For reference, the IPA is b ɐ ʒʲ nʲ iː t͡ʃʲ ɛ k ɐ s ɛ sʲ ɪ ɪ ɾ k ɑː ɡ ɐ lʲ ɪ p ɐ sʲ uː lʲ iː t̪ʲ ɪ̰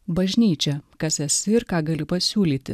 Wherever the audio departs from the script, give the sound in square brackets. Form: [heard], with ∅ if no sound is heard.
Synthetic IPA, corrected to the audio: b ɐ ʒʲ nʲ iː t͡ʃʲ ɛ k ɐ s ɛ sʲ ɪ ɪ ɾ k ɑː ɡ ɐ lʲ ɪ p ɐ sʲ uː lʲ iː t̪ʲ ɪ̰